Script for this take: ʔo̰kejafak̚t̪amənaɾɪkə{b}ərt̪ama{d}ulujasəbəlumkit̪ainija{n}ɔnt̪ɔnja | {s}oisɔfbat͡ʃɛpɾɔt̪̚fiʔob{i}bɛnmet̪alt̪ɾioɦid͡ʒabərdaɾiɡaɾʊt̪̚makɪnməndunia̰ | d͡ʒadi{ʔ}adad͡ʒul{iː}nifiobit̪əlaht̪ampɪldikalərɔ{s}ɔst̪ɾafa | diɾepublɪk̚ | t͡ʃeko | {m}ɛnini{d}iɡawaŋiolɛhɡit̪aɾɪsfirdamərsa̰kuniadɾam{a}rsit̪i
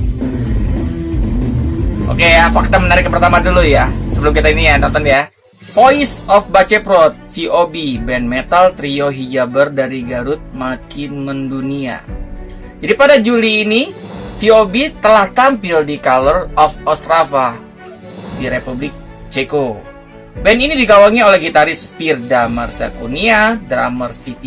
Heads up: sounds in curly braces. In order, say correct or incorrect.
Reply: incorrect: p, correct, correct, incorrect: f, correct, incorrect: p, correct, incorrect: f, incorrect: b, correct, incorrect: ə

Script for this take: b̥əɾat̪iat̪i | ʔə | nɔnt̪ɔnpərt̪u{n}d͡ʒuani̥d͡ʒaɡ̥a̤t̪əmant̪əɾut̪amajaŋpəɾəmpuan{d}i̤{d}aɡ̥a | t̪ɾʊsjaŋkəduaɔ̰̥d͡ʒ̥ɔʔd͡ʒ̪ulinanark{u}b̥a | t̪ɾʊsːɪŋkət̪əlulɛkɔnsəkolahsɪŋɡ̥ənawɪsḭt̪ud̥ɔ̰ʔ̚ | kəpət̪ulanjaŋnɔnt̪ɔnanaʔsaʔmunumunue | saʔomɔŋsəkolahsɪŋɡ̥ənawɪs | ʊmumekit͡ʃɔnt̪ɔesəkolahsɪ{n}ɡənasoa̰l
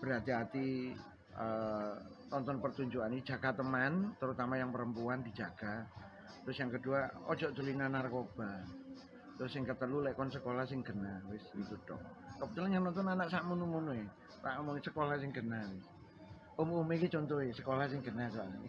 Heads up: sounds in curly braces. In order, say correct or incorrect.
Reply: incorrect: ɲ, correct, incorrect: d͡ʒ, incorrect: o, incorrect: ŋ

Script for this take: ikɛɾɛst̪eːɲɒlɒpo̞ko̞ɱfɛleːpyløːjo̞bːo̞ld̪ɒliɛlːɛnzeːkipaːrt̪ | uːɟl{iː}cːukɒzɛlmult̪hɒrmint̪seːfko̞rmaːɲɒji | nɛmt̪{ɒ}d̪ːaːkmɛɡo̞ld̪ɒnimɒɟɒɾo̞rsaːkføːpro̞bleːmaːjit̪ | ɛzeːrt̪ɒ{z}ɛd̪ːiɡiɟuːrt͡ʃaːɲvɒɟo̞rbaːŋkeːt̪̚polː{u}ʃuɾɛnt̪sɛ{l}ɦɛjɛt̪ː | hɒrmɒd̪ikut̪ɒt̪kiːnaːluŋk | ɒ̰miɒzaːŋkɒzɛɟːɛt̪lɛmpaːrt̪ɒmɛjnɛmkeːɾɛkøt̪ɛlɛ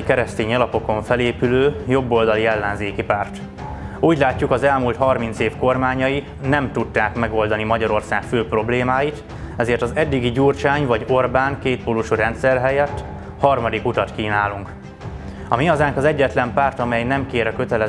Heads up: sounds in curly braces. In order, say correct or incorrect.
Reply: incorrect: aː, incorrect: u, correct, correct, incorrect: r

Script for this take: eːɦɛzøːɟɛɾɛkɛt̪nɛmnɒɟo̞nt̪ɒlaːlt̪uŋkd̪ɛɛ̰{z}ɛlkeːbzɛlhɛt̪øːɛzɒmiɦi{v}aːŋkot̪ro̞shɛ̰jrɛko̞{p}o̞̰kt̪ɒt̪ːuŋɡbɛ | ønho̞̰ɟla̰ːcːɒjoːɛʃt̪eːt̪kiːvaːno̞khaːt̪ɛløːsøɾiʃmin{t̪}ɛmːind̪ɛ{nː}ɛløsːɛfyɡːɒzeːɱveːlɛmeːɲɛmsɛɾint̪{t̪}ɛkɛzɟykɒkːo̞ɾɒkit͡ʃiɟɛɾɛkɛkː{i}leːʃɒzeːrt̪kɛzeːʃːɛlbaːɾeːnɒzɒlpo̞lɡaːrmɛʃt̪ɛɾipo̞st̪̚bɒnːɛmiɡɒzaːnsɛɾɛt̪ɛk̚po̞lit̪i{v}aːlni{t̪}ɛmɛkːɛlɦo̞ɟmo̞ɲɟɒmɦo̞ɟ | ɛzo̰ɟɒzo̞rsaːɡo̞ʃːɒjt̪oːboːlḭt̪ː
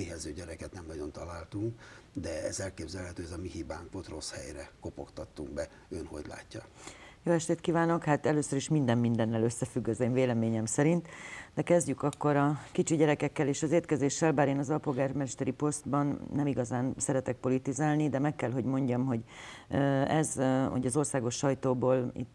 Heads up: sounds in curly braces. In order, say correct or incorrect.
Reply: correct, incorrect: b, correct, incorrect: d̪, correct, incorrect: d̪, incorrect: ɛ, incorrect: z, incorrect: d̪

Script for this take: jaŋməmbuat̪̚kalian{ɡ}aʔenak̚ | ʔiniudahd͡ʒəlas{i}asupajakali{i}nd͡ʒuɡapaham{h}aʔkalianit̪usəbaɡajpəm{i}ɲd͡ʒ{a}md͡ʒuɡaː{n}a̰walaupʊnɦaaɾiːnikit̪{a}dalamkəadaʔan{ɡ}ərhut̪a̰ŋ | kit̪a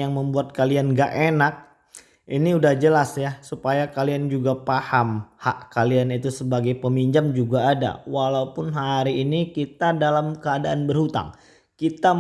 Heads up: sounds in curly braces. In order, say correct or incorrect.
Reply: correct, incorrect: j, incorrect: a, correct, correct, correct, incorrect: d, correct, incorrect: b

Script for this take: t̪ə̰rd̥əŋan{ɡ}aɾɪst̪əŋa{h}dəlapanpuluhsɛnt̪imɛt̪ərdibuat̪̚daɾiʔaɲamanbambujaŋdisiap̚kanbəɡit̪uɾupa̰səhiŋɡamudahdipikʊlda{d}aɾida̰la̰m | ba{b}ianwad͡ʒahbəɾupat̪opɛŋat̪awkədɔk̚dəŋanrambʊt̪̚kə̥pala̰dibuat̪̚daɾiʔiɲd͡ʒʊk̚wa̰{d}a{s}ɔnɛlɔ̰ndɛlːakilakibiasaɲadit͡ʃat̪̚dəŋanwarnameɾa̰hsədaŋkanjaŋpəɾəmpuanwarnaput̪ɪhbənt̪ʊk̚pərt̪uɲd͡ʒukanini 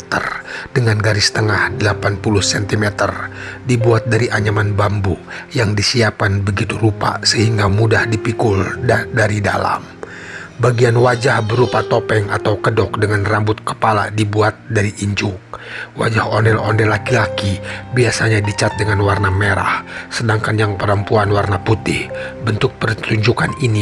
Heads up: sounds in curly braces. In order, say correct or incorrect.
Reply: correct, correct, correct, incorrect: ɡ, incorrect: d͡ʒ, incorrect: h

